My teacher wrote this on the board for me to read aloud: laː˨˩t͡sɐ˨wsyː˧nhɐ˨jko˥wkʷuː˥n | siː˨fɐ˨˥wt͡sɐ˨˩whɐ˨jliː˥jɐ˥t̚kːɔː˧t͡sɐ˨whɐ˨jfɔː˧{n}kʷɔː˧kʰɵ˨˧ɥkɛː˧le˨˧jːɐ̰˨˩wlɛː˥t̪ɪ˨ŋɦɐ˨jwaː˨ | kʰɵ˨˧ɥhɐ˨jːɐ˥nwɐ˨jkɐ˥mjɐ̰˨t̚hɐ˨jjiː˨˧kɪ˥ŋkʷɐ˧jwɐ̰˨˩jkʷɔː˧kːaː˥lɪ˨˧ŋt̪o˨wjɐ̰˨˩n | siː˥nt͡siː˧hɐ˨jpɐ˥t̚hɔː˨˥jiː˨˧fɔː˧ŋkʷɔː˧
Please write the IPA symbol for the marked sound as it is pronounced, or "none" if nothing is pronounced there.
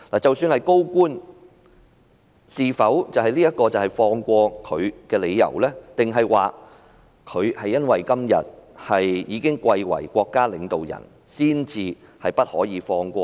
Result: ŋ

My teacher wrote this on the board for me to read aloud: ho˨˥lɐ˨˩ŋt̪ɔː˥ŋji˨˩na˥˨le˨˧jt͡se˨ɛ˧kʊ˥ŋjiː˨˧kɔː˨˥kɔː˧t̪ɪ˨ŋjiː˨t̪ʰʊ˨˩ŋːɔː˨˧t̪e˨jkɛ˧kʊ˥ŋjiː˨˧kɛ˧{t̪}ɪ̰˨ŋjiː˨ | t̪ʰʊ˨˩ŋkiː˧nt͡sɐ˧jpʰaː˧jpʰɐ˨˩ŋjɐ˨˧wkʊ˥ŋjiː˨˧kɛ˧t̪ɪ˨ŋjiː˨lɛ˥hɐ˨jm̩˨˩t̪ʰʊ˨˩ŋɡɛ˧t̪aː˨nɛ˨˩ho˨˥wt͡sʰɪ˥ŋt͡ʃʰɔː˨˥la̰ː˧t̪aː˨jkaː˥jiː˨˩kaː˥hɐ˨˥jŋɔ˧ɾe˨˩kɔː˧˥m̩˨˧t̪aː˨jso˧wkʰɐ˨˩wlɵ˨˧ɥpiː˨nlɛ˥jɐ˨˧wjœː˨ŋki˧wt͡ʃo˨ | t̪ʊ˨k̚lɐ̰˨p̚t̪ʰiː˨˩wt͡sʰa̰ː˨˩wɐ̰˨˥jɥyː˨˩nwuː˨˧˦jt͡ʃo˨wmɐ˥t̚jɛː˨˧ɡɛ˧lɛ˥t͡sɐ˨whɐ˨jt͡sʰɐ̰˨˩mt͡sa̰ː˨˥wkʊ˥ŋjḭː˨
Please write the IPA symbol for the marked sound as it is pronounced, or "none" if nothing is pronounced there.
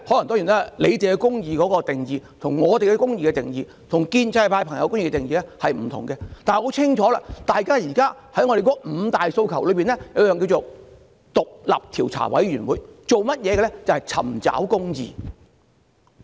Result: t̪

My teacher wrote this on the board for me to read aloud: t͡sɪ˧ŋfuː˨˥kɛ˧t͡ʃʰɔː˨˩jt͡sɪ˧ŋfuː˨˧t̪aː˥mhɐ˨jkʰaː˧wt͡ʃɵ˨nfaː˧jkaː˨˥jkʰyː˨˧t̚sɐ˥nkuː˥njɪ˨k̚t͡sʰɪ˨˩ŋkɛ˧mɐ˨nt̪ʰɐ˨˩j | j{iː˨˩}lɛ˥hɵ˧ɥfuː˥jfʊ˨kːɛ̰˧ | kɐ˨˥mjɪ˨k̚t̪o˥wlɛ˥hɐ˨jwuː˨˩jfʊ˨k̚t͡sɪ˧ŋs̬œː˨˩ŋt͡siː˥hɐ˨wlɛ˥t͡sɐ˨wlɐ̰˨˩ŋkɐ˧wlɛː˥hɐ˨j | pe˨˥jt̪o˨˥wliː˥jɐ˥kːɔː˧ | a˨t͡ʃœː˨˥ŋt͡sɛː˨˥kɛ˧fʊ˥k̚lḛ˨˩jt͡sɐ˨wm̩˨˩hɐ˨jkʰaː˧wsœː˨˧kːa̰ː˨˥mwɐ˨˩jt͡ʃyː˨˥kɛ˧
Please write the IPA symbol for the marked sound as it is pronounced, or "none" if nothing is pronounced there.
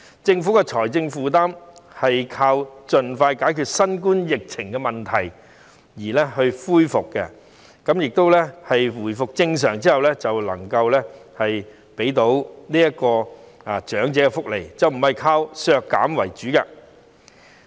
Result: iː˨˩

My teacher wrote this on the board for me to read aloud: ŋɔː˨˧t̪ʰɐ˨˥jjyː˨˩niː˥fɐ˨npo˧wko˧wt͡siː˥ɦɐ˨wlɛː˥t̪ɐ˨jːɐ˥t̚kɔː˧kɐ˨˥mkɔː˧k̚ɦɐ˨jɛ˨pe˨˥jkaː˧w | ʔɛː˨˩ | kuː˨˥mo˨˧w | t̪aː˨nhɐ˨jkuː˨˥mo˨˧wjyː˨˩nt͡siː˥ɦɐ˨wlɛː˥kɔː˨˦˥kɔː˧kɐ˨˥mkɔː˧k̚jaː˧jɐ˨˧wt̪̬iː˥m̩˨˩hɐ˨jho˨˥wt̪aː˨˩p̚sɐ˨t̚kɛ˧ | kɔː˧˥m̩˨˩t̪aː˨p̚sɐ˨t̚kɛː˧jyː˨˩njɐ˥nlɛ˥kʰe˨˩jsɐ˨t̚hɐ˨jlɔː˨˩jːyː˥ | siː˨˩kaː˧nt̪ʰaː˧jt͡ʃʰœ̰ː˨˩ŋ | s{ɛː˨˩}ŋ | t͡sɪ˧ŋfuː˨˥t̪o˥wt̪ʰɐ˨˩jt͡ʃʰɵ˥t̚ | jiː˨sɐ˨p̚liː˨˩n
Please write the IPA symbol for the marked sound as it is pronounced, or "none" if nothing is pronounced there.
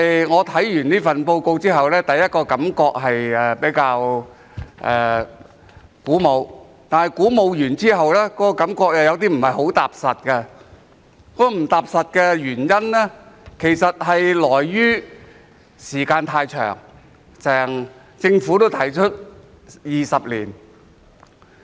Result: ɛː˨˩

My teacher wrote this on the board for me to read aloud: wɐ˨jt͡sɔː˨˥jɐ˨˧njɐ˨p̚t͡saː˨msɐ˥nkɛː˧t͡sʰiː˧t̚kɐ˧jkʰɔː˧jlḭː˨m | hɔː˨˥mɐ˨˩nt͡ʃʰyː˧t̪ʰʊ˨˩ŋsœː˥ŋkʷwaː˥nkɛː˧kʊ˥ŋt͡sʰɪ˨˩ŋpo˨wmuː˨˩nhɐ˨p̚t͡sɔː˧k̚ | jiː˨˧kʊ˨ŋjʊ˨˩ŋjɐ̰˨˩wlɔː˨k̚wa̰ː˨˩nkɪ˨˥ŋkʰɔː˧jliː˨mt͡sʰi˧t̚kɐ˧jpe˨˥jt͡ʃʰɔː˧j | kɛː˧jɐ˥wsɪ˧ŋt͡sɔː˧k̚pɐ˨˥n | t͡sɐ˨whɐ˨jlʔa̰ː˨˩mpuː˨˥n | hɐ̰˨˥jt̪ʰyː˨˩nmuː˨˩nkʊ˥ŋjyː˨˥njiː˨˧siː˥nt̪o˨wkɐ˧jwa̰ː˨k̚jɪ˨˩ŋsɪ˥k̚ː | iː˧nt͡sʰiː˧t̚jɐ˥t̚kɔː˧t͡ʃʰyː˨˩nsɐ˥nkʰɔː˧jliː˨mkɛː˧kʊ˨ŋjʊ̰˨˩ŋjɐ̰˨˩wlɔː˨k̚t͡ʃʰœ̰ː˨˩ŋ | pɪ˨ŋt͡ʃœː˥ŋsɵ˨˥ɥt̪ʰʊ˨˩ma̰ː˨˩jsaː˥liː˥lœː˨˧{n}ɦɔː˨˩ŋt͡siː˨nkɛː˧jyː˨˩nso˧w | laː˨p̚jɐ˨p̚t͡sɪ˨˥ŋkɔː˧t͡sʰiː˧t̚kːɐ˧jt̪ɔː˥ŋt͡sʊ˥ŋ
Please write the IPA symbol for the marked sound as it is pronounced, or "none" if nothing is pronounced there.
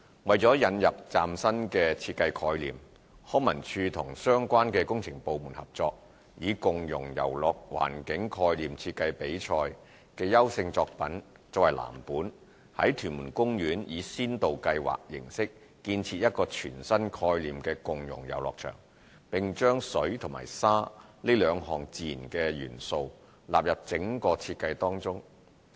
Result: ŋ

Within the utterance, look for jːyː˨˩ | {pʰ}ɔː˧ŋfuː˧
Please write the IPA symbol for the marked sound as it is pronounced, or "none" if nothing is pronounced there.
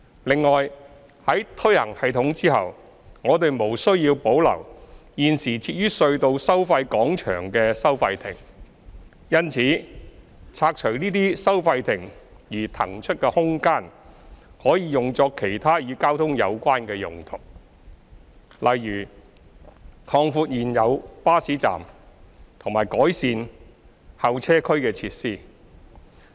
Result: kʰ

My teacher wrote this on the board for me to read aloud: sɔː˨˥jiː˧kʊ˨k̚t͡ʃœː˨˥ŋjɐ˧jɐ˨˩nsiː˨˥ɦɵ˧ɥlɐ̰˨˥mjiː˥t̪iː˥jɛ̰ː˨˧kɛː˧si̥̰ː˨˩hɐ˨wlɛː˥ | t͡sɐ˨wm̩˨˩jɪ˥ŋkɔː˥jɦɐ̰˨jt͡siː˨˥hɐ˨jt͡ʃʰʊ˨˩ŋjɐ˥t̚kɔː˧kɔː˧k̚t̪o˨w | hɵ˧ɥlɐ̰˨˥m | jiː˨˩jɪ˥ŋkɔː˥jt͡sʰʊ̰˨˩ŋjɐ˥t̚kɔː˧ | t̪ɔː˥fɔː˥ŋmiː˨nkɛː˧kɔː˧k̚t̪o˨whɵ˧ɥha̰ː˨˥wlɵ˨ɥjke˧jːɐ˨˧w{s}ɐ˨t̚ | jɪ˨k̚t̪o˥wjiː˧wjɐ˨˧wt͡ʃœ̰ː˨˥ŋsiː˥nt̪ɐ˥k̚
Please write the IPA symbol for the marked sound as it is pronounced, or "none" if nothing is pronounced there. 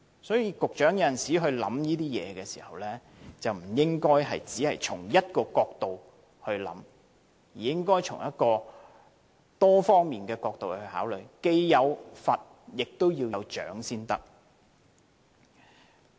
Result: f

